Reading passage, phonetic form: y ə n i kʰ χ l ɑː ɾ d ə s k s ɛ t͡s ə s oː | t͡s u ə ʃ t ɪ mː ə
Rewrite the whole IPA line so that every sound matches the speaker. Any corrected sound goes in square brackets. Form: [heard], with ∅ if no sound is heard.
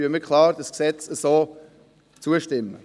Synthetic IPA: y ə [m] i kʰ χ l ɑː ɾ d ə s k s ɛ t͡s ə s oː | t͡s u ə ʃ t ɪ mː ə